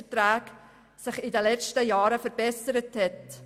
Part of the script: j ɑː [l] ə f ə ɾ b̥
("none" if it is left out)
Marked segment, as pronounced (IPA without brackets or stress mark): ɾ